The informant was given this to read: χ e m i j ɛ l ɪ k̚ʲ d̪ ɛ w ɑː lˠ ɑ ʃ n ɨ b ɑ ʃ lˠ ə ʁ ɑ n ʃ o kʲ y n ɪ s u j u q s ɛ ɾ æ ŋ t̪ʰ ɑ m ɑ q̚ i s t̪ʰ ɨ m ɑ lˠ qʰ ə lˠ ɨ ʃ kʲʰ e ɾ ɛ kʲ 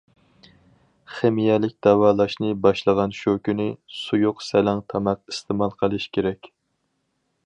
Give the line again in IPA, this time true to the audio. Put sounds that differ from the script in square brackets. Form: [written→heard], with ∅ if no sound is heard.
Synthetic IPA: χ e m i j ɛ l ɪ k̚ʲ d̪ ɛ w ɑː lˠ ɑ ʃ n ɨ b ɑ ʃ lˠ ə ʁ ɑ n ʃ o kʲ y n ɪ s u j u q s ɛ [ɾ→l] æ ŋ t̪ʰ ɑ m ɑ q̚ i s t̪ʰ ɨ m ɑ lˠ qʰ ə lˠ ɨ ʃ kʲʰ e ɾ ɛ kʲ

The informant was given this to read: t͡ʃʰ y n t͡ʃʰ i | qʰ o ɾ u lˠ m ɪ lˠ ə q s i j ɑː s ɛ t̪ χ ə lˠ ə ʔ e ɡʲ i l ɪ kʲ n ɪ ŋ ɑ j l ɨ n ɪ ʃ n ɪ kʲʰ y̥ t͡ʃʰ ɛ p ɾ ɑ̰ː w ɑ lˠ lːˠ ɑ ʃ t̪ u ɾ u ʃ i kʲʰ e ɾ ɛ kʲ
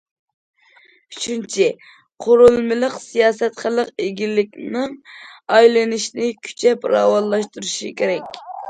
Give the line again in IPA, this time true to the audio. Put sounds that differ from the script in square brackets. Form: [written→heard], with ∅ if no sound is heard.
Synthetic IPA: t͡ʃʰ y n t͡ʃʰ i | qʰ o ɾ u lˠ m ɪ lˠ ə q s i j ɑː s ɛ t̪ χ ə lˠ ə [ʔ→q] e ɡʲ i l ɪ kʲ n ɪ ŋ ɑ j l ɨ n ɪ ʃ n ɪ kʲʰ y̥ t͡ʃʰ ɛ p ɾ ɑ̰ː w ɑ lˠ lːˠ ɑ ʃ t̪ u ɾ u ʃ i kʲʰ e ɾ ɛ kʲ

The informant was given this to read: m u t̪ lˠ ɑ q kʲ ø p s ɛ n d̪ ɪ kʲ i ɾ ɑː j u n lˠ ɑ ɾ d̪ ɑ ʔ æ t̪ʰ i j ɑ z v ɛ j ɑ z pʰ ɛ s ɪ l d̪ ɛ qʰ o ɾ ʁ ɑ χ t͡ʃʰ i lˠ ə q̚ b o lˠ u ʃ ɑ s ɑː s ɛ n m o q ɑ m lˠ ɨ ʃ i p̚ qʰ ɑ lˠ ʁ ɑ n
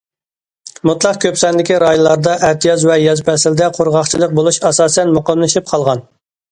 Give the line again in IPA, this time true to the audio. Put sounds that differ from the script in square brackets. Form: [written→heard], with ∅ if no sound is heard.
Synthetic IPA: m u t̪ lˠ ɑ q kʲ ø p s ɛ n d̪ ɪ kʲ i ɾ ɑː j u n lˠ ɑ ɾ d̪ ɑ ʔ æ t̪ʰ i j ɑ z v ɛ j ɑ z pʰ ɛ s ɪ l d̪ ɛ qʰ o ɾ ʁ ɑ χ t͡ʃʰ i lˠ ə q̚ b o lˠ u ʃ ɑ s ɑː s ɛ n m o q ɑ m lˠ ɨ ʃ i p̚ qʰ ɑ lˠ ʁ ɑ n

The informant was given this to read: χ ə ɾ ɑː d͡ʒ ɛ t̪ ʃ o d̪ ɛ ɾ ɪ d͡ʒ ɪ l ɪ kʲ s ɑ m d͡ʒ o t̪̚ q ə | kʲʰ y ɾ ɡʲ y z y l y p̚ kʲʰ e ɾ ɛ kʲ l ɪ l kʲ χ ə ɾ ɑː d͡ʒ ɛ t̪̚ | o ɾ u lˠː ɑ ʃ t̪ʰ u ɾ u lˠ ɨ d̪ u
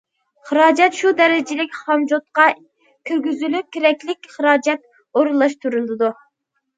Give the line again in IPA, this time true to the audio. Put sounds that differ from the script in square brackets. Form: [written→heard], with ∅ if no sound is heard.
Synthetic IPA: χ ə ɾ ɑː d͡ʒ ɛ t̪ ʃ [o→u] d̪ ɛ ɾ ɪ d͡ʒ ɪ l ɪ kʲ [s→χ] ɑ m d͡ʒ o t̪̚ q [ə→ɑ] | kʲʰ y ɾ ɡʲ y z y l y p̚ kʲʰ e ɾ ɛ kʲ l ɪ [l→∅] kʲ χ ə ɾ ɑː d͡ʒ ɛ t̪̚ | o ɾ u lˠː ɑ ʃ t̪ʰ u ɾ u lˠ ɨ d̪ u

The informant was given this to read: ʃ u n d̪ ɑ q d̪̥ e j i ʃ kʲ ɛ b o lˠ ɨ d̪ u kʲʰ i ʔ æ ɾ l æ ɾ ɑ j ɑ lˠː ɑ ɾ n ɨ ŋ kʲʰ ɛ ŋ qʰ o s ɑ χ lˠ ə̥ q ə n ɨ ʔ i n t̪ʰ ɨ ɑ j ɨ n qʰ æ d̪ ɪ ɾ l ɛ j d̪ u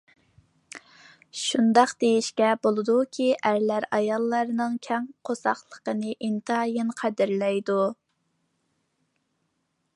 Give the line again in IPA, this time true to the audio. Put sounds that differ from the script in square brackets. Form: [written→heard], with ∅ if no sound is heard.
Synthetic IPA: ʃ u n d̪ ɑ q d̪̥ e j i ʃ kʲ ɛ b o lˠ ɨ d̪ u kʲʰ i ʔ æ ɾ l æ ɾ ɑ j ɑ lˠː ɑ ɾ n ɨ ŋ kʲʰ ɛ ŋ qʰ o s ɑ χ lˠ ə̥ q ə n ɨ ʔ i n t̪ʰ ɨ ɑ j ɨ n qʰ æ d̪ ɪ ɾ l ɛ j d̪ u

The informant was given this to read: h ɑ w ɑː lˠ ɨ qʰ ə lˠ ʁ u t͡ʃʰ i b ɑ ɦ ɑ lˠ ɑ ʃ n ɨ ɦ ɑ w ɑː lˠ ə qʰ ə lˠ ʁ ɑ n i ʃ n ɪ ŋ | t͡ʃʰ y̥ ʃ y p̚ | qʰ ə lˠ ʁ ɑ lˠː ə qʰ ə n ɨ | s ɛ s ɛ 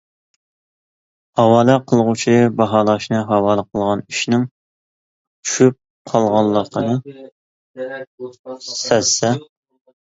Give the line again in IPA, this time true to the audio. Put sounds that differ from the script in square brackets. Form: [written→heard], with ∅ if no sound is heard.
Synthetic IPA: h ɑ w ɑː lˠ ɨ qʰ ə lˠ ʁ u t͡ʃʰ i b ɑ ɦ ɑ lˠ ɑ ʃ n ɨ ɦ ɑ w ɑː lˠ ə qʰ ə lˠ ʁ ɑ n i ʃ n ɪ ŋ | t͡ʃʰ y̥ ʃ y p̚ | qʰ [ə→ɑ] lˠ ʁ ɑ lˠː ə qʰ ə n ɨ | s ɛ s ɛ

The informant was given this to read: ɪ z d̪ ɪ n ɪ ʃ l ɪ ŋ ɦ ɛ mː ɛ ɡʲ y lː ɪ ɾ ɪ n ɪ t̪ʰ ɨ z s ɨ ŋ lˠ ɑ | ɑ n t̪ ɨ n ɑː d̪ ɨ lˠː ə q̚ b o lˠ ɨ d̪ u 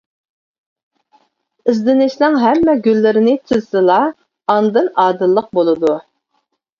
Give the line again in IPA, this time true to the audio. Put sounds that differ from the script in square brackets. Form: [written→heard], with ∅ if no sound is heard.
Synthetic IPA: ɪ z d̪ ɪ n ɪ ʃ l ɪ ŋ ɦ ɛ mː ɛ ɡʲ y lː ɪ ɾ ɪ n ɪ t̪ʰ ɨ z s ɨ [ŋ→∅] lˠ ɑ | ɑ n [t̪→d̪] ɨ n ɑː d̪ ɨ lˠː ə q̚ b o lˠ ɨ d̪ u

